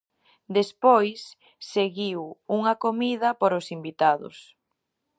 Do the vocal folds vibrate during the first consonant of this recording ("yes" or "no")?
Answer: yes